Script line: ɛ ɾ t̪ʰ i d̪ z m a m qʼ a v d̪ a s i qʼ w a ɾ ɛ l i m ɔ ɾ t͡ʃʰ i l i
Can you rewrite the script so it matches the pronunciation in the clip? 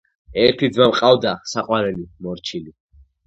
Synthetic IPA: ɛ ɾ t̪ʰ i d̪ z m a m qʼ a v d̪ a s a qʼ w a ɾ ɛ l i m ɔ ɾ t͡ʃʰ i l i

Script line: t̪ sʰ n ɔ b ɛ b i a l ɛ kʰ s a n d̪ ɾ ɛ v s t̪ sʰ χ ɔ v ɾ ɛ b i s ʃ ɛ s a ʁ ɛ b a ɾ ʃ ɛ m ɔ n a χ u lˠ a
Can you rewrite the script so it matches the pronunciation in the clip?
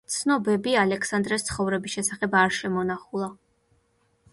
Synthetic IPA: t̪ sʰ n ɔ b ɛ b i a l ɛ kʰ s a n d̪ ɾ ɛ s t̪ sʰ χ ɔ v ɾ ɛ b i s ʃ ɛ s a χ ɛ b a ɾ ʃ ɛ m ɔ n a χ u lˠ a

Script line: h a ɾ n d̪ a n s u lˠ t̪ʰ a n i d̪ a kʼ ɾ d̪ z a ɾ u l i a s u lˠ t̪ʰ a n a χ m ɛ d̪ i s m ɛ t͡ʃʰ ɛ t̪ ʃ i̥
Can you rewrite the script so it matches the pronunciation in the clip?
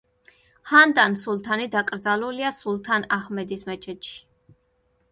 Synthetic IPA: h a n d̪ a n s u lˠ t̪ʰ a n i d̪ a kʼ ɾ d̪ z a l u l i a s u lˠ t̪ʰ a n a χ m ɛ d̪ i s m ɛ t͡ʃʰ ɛ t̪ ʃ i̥

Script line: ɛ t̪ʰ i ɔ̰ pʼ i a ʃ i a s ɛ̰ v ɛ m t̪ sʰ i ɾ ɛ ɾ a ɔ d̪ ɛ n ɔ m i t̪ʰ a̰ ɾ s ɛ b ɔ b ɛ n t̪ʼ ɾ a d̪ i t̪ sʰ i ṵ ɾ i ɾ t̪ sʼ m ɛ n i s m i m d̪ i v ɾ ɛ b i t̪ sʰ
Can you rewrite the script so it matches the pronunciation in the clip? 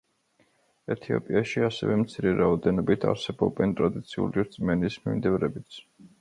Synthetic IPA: ɛ t̪ʰ i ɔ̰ pʼ i a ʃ i a s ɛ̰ v ɛ m t̪ sʰ i ɾ ɛ ɾ a ɔ d̪ ɛ n ɔ b i t̪ʰ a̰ ɾ s ɛ b ɔ b ɛ n t̪ʼ ɾ a d̪ i t̪ sʰ i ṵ l i ɾ t̪ sʼ m ɛ n i s m i m d̪ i v ɾ ɛ b i t̪ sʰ

